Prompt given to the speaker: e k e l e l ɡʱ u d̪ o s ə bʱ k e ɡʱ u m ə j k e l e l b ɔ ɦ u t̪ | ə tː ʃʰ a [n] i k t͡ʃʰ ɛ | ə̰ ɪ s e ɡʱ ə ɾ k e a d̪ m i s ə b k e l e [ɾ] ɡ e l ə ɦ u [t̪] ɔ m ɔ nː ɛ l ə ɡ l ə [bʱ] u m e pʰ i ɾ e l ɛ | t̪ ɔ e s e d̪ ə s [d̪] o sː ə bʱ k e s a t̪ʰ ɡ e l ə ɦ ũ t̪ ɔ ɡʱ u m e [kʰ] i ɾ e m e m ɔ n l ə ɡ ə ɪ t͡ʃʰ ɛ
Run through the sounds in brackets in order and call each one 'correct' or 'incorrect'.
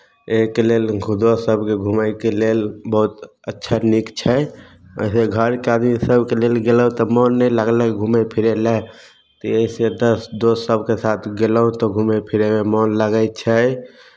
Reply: correct, incorrect: l, correct, incorrect: ɡʱ, correct, incorrect: pʰ

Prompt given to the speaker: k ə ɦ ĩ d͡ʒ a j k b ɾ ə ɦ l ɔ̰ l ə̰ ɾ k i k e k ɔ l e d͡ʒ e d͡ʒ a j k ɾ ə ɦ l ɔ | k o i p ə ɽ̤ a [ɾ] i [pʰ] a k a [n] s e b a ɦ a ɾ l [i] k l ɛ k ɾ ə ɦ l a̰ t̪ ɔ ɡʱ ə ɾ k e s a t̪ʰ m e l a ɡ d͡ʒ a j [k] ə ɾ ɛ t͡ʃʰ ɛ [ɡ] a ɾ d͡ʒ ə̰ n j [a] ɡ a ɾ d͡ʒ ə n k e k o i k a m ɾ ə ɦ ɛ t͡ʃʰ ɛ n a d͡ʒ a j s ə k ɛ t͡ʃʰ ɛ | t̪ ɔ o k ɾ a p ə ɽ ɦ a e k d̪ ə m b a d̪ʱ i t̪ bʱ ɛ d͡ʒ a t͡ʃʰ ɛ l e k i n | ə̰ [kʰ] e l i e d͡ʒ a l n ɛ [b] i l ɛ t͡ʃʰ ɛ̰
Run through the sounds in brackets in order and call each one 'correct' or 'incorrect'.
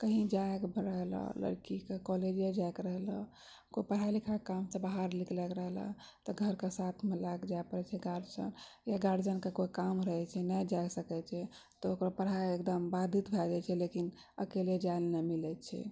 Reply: incorrect: l, incorrect: kʰ, incorrect: m, correct, incorrect: p, correct, correct, incorrect: k, incorrect: m

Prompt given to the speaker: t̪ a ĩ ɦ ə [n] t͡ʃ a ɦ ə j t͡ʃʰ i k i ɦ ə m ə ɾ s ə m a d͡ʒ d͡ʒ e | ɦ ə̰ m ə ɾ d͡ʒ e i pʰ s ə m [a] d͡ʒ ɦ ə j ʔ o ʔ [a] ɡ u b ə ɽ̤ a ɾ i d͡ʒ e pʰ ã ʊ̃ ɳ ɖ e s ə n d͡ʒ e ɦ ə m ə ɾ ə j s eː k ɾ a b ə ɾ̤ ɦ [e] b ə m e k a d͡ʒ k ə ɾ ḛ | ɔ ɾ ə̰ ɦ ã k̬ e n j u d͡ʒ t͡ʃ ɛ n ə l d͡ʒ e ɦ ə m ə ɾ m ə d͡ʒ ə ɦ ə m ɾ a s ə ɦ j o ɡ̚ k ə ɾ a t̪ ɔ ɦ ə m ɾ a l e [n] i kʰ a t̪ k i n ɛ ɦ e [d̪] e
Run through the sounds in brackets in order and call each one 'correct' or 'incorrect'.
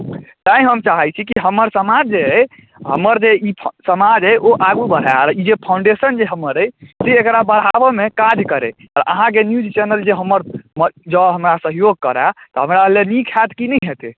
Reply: incorrect: m, correct, correct, incorrect: a, correct, incorrect: t̪

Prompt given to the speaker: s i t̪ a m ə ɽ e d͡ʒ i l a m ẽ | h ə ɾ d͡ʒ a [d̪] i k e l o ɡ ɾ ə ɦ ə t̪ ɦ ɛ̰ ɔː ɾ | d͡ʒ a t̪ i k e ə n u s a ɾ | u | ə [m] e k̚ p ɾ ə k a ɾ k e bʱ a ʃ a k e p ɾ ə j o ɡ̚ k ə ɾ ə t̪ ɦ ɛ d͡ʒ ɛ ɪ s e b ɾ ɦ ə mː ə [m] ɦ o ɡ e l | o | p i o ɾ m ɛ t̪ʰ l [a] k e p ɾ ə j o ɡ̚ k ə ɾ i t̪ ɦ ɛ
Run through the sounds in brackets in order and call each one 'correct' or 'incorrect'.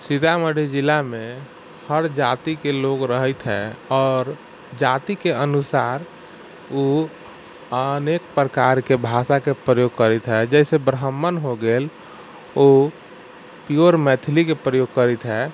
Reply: incorrect: t̪, incorrect: n, incorrect: n, incorrect: i

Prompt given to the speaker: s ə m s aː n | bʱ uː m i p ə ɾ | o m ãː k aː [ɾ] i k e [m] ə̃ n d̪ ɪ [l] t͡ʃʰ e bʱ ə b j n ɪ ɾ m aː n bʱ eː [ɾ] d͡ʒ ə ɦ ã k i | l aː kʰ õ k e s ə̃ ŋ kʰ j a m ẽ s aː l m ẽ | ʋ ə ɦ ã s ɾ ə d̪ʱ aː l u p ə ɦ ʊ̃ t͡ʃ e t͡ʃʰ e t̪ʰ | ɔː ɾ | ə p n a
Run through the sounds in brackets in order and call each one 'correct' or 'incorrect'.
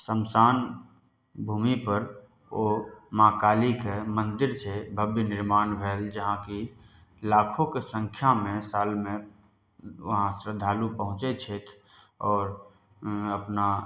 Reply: incorrect: l, correct, incorrect: ɾ, incorrect: l

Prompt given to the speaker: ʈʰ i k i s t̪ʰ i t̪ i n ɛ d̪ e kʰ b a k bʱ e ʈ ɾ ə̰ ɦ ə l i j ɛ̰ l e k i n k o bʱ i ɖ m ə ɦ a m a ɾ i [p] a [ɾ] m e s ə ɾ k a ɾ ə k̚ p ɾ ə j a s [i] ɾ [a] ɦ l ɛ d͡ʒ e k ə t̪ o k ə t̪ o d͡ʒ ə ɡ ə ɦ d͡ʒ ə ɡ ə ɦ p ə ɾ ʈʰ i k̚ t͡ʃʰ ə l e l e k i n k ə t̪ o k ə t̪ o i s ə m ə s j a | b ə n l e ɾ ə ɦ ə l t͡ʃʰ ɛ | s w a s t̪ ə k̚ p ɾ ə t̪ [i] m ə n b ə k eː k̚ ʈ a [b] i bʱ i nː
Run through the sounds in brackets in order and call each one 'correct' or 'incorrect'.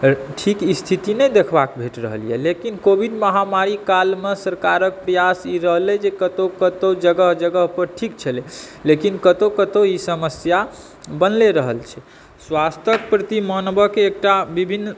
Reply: incorrect: k, incorrect: l, correct, incorrect: ə, correct, correct

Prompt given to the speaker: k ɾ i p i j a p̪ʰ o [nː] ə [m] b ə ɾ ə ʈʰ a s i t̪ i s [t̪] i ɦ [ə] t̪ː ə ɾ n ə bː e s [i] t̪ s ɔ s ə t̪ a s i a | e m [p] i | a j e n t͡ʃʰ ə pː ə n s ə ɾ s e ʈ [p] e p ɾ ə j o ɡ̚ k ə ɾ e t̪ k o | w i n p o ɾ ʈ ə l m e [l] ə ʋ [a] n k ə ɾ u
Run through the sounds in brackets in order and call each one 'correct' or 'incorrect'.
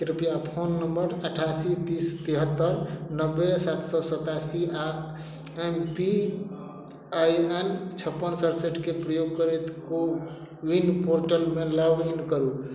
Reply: correct, correct, correct, correct, incorrect: a, correct, incorrect: k, correct, incorrect: i

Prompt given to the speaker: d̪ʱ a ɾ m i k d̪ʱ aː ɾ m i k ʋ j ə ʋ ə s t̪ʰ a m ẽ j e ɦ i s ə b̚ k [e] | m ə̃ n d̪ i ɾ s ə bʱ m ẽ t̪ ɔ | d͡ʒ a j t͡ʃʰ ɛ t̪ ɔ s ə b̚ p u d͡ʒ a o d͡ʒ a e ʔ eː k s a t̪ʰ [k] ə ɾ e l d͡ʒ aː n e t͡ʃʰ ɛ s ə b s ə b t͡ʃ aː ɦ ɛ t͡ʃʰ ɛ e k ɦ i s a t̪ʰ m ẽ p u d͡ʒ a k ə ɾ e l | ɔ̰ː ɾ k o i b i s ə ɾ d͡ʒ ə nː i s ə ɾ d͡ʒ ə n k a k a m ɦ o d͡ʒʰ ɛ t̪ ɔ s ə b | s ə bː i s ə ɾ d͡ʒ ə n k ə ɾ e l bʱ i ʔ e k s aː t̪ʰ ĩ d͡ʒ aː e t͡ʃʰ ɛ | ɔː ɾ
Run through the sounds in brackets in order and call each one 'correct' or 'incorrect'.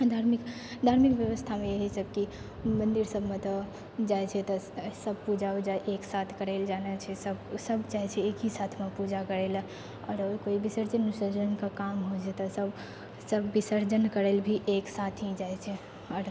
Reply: incorrect: i, correct

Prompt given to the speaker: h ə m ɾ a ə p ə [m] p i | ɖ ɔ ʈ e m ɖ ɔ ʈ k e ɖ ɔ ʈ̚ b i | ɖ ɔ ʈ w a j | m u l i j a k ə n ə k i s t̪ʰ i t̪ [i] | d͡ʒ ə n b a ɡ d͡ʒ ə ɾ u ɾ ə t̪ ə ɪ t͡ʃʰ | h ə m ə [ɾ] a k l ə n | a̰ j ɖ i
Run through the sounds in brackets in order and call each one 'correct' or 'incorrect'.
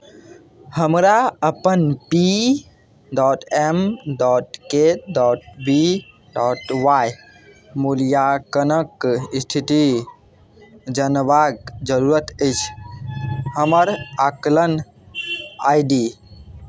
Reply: incorrect: n, correct, correct

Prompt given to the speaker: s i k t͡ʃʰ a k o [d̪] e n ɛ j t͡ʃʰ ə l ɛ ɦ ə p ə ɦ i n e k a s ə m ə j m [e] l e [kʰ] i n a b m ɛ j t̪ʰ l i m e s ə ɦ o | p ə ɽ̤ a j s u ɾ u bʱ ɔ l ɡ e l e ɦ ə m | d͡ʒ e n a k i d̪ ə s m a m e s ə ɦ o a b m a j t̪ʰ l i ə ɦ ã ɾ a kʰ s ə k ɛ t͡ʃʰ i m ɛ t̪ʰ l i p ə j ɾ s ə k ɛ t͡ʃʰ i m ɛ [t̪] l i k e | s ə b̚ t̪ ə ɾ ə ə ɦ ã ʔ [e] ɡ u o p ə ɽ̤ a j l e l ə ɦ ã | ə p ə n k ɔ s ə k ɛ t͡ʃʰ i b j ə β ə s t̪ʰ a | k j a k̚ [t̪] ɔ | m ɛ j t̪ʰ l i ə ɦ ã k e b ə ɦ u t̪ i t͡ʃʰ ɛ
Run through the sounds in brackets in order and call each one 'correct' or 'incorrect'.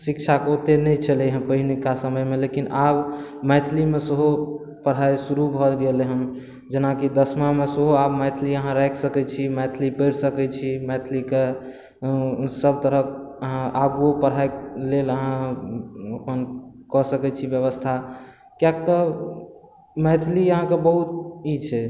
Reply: incorrect: t̪, correct, incorrect: k, incorrect: t̪ʰ, incorrect: a, correct

